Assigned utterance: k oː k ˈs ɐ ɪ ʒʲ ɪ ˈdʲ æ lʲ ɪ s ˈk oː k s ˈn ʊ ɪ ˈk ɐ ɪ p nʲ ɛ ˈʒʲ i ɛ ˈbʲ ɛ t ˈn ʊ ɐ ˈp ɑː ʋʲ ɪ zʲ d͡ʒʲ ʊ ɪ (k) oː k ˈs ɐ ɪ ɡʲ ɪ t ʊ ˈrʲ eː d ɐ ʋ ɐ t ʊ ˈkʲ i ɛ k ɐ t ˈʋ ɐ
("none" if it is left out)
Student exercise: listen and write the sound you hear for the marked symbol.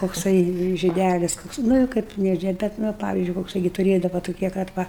k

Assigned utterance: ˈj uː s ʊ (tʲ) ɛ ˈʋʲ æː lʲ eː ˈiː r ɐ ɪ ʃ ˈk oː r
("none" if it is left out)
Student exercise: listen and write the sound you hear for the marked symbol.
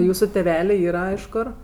tʲ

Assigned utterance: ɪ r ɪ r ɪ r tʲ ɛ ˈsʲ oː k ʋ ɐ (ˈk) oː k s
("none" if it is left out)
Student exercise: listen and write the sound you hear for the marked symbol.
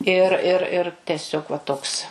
t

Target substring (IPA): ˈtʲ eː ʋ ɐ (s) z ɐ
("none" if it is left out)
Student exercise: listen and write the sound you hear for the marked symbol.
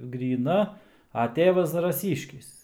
s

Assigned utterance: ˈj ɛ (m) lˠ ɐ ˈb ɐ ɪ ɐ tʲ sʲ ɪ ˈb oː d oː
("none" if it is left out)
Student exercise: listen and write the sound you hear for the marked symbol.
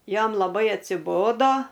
m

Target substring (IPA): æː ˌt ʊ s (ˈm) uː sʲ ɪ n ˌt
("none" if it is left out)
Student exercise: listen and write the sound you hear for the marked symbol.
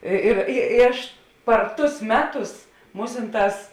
m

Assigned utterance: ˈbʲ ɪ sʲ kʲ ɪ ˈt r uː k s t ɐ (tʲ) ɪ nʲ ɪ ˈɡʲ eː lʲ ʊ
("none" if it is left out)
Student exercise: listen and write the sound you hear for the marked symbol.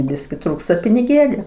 pʲ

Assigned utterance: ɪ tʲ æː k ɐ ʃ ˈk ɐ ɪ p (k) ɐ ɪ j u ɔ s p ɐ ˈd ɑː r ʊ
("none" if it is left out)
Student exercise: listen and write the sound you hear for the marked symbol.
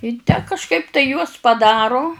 t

